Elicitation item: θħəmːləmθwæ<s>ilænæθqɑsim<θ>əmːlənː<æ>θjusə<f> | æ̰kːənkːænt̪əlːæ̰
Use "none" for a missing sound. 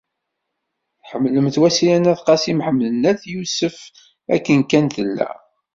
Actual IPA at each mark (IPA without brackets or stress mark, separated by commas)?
s, ħ, æ, f